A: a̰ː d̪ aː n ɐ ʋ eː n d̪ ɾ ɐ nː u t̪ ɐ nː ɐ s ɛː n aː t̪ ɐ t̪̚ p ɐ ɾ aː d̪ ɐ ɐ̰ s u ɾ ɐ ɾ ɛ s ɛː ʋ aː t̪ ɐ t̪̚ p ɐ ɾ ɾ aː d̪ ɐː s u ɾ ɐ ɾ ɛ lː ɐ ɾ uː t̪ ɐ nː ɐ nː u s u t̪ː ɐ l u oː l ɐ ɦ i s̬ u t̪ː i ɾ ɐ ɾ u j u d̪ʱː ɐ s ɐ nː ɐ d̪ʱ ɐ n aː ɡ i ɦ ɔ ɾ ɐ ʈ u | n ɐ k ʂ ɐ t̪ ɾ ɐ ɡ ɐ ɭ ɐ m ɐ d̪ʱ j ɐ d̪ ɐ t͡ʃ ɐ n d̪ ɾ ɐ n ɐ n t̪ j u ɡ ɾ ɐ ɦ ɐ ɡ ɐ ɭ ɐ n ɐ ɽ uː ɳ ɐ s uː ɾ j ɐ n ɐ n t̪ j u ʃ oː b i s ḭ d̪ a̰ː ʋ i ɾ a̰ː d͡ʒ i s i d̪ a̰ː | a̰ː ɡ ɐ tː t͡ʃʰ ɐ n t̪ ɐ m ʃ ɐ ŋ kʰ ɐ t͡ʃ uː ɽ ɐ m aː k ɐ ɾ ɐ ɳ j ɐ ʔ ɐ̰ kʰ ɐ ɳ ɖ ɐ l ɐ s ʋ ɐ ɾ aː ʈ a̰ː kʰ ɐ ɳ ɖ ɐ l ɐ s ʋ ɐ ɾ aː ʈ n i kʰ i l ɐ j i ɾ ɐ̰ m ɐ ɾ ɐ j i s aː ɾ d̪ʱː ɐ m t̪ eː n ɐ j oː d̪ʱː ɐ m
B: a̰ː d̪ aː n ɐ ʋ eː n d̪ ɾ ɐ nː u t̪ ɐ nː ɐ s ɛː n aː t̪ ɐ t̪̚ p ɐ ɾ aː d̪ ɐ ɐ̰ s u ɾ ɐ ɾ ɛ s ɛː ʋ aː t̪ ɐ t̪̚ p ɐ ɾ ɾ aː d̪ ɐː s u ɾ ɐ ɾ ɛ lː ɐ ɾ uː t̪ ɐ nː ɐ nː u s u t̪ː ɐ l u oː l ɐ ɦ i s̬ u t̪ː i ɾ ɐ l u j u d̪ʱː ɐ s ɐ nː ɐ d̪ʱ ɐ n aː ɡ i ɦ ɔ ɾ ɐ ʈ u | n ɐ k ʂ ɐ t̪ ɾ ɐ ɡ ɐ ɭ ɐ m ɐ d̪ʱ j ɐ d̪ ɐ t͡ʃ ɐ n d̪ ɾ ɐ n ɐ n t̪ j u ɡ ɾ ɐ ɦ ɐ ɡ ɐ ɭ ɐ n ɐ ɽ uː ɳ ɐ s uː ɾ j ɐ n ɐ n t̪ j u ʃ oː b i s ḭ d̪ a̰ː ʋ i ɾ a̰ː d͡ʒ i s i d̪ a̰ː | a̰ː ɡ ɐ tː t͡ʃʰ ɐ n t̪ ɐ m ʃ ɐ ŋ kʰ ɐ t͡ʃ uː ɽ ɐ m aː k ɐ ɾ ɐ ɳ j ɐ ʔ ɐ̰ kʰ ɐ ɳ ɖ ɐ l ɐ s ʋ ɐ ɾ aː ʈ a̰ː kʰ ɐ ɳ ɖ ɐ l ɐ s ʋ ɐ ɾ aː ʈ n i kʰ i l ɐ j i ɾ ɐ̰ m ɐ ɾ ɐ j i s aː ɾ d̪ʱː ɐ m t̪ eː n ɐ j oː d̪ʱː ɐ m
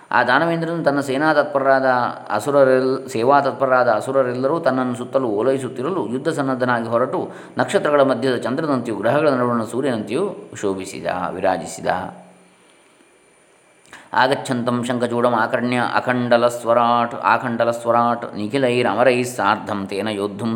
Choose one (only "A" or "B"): B